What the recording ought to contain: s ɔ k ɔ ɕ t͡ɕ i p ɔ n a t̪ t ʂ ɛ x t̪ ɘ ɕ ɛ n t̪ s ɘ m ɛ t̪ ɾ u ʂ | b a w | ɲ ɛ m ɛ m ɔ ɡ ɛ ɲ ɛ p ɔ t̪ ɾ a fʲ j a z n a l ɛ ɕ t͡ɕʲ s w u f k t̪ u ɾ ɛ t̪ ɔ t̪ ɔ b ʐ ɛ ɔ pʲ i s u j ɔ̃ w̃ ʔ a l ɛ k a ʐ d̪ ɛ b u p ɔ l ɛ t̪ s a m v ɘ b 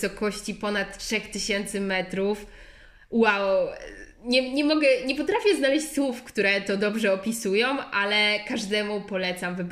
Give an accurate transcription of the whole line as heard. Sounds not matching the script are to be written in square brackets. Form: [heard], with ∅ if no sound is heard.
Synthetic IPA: s ɔ k ɔ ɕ t͡ɕ i p ɔ n a t̪ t ʂ ɛ x t̪ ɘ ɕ ɛ n t̪ s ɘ m ɛ t̪ ɾ u [f] | [w] a w | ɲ ɛ [ɲ] ɛ m ɔ ɡ ɛ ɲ ɛ p ɔ t̪ ɾ a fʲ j [ɛ] z n a l ɛ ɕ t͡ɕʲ s w u f k t̪ u ɾ ɛ t̪ ɔ [d̪] ɔ b ʐ ɛ ɔ pʲ i s u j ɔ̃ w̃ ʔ a l ɛ k a ʐ d̪ ɛ [m] u p ɔ l ɛ t̪ s a m v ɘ b